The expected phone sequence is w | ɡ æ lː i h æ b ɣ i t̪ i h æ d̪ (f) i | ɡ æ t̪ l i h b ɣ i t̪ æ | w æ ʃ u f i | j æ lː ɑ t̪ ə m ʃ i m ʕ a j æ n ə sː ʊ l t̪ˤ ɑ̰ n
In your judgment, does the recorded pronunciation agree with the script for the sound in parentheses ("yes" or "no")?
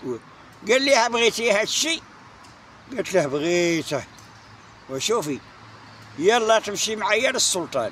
no